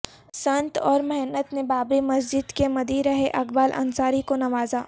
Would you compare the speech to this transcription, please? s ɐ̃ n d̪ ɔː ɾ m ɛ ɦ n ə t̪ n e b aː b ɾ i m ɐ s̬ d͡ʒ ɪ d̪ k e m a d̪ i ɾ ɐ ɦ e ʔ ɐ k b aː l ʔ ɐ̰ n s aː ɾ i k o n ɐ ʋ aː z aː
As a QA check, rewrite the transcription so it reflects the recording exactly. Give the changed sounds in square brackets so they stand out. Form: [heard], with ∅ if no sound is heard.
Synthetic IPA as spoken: s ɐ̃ n [t̪] ɔː ɾ m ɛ ɦ n ə t̪ n e b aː b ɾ i m ɐ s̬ d͡ʒ ɪ d̪ k e m [ɐ] d̪ i ɾ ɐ ɦ e ʔ ɐ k b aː l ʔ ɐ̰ n s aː ɾ i k o n ɐ ʋ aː z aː